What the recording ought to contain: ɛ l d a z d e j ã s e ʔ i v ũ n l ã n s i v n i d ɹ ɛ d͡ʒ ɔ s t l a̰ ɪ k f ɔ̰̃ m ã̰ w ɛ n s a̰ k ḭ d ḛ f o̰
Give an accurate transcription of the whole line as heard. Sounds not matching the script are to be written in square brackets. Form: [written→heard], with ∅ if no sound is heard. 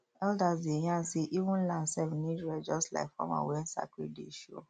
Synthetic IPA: ɛ l d a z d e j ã s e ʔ i v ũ n l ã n s [i→ɛ] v n i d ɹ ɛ d͡ʒ ɔ s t l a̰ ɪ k f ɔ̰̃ m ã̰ w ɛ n s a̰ k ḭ d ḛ [f→ʃ] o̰

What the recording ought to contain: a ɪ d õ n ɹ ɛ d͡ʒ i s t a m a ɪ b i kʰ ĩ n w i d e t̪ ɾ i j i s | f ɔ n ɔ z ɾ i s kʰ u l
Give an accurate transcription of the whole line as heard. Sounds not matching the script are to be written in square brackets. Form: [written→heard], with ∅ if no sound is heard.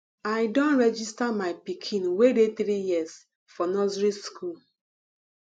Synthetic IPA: a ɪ d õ n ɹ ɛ d͡ʒ i s t a m a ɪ [b→p] i kʰ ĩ n w [i→e] d e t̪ ɾ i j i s | f ɔ n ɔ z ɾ i s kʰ u l

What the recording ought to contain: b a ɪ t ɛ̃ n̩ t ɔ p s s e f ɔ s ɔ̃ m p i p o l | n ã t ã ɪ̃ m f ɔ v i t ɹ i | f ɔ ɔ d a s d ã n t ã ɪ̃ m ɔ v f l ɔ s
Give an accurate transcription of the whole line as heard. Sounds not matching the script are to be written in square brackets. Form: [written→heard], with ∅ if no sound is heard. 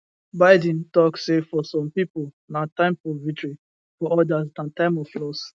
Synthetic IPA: b a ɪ [t→d] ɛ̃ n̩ t ɔ [p→k] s s e f ɔ s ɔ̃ m p i p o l | n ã t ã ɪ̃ m f ɔ v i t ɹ i | f ɔ ɔ d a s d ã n t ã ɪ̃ m ɔ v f l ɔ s

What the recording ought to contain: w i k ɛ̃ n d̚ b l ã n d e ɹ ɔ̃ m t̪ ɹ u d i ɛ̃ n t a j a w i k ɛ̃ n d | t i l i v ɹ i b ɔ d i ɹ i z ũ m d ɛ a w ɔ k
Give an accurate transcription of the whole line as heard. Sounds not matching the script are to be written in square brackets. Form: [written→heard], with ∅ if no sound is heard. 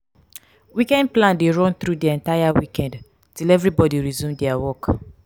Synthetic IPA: w i k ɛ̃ n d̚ [b→p] l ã n d e ɹ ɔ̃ [m→n] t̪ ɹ u d i ɛ̃ n t a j a w i k ɛ̃ n d | t i l [i→ɛ] v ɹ i b ɔ d i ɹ i z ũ m d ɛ a w ɔ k

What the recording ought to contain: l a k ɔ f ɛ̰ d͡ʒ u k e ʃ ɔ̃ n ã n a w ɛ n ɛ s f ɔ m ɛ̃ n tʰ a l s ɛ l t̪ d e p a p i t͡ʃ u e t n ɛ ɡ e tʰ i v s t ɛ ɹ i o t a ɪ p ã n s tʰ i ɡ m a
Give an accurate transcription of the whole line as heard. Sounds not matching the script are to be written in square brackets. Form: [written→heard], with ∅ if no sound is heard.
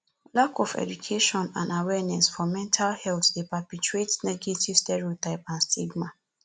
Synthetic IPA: l a k ɔ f ɛ̰ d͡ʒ u [k→kʰ] e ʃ ɔ̃ n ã n a w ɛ n ɛ s f ɔ m ɛ̃ n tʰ a l [s→h] ɛ l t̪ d e p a p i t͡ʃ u e t n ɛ ɡ e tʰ i v s t ɛ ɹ i o t a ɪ p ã n s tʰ i ɡ m a

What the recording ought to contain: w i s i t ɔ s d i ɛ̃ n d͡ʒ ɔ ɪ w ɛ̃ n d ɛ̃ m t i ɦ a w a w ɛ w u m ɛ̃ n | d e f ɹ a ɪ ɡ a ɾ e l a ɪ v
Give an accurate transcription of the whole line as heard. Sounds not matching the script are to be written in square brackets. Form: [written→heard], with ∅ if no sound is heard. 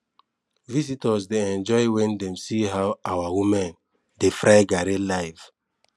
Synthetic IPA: [w→v] i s i t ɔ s d [i→e] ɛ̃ n d͡ʒ ɔ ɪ w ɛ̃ n d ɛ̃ m [t→s] i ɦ a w a w [ɛ→a] w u m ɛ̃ n | d e f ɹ a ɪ ɡ a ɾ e l a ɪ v

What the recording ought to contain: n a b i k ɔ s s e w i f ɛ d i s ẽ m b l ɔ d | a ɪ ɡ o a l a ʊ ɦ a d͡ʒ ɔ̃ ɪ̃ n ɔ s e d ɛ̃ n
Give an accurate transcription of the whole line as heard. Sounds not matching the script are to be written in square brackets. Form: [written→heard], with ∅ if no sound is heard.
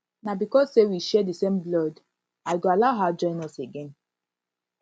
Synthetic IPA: n a b i k ɔ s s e w i [f→ʃ] ɛ d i s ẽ m b l ɔ d | a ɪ ɡ o a l a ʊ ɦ a d͡ʒ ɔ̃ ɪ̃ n ɔ s e [d→ɡ] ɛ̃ n

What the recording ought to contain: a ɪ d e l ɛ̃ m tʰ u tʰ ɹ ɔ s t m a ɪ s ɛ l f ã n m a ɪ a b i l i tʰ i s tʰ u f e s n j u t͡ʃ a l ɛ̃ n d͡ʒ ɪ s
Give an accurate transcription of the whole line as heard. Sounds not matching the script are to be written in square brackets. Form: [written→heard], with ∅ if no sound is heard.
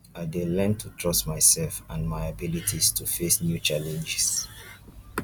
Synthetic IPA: a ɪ d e l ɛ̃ [m→n] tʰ u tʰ ɹ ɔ s t m a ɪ s ɛ l f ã n m a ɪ a b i l i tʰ i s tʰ u f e s n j u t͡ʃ a l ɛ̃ n d͡ʒ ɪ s

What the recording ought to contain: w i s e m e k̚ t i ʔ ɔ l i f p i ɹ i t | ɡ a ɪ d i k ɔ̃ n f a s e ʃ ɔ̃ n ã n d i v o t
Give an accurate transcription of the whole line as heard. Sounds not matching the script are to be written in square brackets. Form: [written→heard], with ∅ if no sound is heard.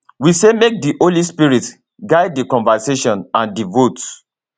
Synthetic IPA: w i s e m e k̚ [t→d] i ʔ [ɔ→o] l i [f→s] p i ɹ i t | ɡ a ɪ d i k ɔ̃ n [f→v] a s e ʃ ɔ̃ n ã n d i v o t

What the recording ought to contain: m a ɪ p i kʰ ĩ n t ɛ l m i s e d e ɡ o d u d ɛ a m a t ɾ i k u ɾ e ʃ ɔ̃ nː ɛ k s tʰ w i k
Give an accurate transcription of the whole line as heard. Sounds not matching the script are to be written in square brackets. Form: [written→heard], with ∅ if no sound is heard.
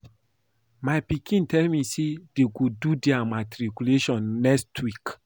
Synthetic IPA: m a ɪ p i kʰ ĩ n t ɛ l m i s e d e ɡ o d u d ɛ a m a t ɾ i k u [ɾ→l] e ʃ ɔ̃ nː ɛ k s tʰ w i k

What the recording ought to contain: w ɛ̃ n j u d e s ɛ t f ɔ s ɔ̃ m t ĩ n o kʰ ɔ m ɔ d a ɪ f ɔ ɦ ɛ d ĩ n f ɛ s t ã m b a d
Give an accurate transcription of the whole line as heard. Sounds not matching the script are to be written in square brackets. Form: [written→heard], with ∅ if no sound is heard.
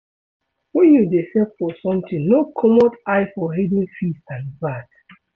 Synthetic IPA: w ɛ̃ n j u d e s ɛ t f ɔ s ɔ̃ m t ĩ n o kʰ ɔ m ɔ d a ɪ f ɔ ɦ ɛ d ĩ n f [ɛ→i] s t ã [m→n] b a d

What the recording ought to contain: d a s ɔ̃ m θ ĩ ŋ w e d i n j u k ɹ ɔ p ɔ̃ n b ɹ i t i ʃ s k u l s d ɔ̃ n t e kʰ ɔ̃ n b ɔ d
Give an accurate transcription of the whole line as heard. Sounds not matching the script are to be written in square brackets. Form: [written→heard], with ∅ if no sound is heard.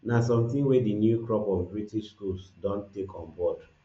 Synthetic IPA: [d→n] a s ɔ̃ m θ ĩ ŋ w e d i n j u k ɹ ɔ p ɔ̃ n b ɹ i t i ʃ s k u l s d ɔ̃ n t e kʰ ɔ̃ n b ɔ d

